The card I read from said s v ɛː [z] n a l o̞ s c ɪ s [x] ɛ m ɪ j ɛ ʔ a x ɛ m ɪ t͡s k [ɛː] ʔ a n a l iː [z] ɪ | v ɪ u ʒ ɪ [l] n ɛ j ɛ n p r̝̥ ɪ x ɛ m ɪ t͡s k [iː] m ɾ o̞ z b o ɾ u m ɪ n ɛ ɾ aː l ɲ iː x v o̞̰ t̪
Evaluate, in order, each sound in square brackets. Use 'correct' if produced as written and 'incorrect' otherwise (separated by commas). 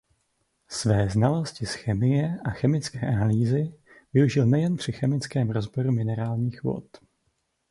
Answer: correct, correct, correct, correct, correct, incorrect